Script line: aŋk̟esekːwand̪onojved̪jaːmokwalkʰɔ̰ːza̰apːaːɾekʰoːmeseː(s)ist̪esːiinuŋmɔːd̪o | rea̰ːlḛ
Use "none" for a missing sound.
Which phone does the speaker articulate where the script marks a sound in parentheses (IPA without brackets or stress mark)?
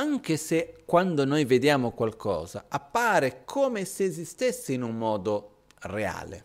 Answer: z